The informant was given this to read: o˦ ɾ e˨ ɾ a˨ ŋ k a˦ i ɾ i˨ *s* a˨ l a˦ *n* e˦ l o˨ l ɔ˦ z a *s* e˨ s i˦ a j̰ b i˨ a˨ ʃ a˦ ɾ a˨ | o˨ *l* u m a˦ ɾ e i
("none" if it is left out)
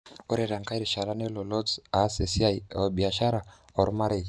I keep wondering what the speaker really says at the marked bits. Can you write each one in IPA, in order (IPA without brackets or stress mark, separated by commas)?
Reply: ʃ, n, s, ɾ